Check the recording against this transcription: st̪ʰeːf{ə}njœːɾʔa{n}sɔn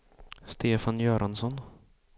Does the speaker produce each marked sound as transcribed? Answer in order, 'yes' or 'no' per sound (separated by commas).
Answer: no, yes